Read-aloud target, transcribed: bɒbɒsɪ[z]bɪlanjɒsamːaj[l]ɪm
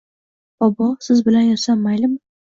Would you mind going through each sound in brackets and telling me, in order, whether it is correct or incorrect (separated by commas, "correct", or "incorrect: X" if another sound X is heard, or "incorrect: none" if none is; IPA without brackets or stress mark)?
correct, correct